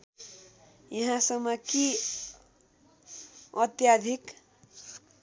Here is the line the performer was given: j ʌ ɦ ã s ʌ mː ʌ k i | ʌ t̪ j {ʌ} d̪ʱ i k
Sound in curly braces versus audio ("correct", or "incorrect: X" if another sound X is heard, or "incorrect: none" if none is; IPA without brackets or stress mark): incorrect: a